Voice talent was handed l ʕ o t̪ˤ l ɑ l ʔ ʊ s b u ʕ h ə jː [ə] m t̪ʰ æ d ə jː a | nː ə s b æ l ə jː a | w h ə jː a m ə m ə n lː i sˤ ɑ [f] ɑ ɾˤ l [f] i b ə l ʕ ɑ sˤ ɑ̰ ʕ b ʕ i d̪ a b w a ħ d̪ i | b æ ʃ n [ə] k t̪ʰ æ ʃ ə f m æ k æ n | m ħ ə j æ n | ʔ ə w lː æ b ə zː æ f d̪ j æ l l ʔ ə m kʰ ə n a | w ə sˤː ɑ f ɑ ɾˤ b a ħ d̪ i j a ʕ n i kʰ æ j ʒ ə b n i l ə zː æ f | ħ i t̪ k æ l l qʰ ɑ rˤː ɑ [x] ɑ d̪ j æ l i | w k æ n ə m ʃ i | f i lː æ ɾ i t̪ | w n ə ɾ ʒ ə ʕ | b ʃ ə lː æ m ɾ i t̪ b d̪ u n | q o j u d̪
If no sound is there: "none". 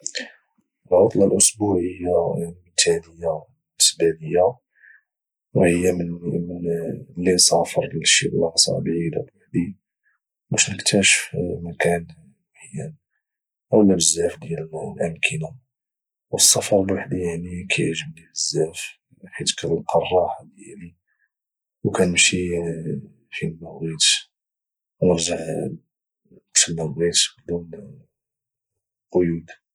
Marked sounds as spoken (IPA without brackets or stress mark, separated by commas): a, f, ʃ, ə, ħ